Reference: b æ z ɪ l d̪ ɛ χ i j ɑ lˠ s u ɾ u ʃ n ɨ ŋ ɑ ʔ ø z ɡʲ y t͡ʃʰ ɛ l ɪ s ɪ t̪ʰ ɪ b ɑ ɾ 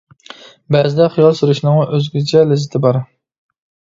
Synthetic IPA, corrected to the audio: b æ z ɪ d̪ ɛ χ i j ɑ lˠ s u ɾ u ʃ n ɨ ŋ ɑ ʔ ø z ɡʲ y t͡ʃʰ ɛ l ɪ z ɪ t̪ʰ ɪ b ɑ ɾ